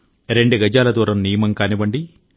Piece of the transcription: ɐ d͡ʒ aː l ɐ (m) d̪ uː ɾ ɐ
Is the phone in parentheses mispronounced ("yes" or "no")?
yes